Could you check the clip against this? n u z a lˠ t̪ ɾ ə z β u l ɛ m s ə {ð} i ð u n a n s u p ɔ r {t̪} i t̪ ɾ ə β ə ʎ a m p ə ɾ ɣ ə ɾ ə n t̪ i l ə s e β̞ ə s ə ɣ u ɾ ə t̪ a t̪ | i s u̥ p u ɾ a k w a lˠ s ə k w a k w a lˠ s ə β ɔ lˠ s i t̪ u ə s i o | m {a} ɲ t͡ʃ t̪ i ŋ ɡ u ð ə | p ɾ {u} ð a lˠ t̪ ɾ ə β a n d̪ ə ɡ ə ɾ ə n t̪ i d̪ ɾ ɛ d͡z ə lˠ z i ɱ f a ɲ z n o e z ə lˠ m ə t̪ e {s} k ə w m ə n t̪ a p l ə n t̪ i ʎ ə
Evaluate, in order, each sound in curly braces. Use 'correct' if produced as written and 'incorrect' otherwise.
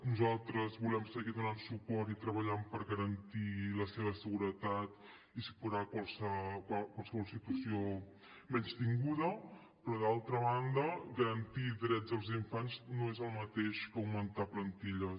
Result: incorrect, correct, incorrect, incorrect, incorrect

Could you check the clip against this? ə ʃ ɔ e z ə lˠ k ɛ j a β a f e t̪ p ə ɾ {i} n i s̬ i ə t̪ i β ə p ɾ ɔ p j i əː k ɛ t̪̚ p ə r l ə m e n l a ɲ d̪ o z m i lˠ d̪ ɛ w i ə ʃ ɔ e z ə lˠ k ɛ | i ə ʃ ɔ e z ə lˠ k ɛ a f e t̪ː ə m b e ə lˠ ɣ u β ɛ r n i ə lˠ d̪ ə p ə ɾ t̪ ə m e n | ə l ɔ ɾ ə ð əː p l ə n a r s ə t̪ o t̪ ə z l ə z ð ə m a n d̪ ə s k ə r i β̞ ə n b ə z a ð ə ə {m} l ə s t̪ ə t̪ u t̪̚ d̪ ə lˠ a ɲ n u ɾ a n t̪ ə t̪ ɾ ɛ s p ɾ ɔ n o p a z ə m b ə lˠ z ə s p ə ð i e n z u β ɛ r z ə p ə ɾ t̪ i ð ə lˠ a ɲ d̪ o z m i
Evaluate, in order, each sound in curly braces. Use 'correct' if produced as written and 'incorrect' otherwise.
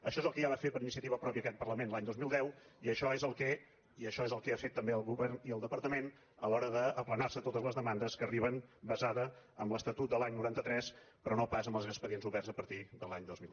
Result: correct, correct

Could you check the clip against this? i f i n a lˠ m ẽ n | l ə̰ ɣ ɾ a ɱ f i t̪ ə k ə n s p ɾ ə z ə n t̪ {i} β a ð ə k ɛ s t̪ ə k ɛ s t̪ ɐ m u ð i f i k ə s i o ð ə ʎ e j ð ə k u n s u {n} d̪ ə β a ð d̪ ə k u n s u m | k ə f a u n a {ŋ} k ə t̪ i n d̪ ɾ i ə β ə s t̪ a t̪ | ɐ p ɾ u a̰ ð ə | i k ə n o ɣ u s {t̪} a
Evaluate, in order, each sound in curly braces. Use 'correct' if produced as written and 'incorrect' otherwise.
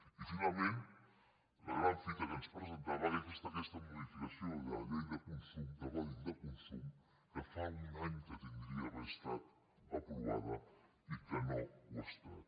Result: incorrect, incorrect, incorrect, correct

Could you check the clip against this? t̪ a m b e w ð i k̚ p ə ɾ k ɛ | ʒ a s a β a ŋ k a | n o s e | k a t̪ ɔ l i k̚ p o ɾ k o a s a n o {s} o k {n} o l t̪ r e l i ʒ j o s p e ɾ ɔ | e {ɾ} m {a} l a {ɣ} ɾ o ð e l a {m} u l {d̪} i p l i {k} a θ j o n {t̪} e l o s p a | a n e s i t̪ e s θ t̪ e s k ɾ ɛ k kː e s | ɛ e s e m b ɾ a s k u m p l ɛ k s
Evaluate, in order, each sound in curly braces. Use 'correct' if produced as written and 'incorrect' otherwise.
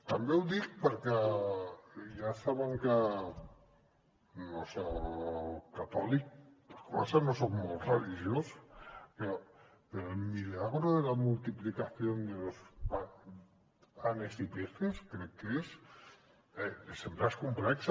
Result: correct, incorrect, incorrect, incorrect, correct, correct, incorrect, correct, incorrect

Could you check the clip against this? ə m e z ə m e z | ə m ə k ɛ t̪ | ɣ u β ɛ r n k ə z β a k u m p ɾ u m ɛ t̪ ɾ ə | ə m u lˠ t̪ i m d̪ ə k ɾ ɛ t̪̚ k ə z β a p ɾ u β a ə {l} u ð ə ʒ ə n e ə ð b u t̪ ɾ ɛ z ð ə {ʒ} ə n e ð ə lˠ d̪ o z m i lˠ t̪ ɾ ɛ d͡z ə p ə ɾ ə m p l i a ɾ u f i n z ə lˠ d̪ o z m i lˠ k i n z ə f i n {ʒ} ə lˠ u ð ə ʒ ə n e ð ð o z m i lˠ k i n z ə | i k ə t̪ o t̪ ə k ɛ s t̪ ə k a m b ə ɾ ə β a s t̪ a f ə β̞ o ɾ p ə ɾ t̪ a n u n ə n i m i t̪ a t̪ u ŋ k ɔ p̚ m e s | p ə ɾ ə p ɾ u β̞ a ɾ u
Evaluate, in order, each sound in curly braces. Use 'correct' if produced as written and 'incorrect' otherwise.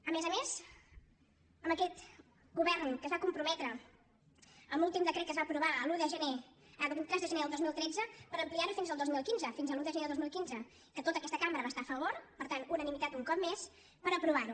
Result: correct, correct, incorrect

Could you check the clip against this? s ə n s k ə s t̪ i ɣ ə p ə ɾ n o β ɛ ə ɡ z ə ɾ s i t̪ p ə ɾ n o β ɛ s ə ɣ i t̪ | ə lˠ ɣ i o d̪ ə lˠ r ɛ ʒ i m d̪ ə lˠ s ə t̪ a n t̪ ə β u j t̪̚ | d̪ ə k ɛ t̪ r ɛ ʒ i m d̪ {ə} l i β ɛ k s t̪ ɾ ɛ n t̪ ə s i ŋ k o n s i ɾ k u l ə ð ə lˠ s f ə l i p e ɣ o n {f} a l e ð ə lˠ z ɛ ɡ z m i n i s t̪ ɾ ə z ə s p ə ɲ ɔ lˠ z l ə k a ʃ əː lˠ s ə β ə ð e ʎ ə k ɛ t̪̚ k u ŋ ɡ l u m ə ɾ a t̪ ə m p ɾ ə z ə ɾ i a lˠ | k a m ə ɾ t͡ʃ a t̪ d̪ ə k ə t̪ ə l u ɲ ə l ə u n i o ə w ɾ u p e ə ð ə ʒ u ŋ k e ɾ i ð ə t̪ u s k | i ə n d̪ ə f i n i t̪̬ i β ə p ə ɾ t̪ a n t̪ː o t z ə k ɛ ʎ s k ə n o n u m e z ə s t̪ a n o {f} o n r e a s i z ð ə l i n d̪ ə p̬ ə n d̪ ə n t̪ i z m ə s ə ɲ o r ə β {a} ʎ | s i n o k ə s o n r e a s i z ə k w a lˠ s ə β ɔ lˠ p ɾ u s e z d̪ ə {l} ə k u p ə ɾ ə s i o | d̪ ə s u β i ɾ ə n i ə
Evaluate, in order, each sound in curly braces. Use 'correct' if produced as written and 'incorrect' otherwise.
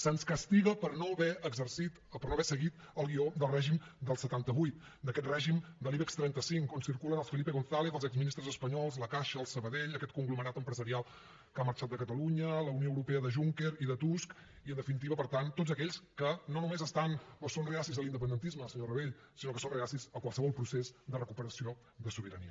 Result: correct, incorrect, incorrect, incorrect, incorrect

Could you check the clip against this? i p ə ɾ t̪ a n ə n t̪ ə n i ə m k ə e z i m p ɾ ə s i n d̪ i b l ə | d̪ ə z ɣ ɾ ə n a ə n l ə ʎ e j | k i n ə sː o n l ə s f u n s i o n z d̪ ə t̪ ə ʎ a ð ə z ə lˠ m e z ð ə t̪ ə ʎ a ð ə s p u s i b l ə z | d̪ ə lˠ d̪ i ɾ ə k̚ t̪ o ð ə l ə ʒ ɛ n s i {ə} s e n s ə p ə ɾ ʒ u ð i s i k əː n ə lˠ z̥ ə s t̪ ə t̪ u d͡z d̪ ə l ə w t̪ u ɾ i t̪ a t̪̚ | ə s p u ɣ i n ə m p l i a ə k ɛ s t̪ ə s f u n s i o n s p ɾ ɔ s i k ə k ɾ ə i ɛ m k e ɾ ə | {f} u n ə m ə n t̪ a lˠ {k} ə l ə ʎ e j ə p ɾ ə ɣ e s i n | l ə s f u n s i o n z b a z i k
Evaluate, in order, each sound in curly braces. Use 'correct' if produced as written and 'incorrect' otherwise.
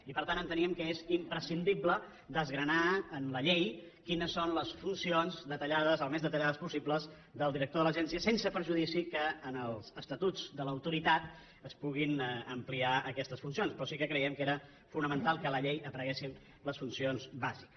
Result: correct, correct, correct

